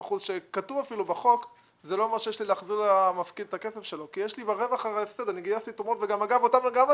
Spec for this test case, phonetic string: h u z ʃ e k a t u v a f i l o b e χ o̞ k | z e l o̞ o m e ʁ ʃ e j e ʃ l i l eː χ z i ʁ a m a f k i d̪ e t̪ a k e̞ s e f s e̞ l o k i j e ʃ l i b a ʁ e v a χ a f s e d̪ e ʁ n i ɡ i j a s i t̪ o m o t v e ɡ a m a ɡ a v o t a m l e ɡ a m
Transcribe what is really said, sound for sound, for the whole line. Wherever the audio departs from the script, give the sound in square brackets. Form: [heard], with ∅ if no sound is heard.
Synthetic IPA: [χ] u z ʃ e k a t u v a f i l [u] b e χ o̞ k | z e l o̞ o m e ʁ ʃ e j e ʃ l i l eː χ z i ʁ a m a f k i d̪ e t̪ a k e̞ s e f [ʃ] e̞ l o k i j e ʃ l i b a ʁ e v a χ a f s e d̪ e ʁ n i ɡ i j a s i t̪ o m o t v e ɡ a m a ɡ a v o t a m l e ɡ a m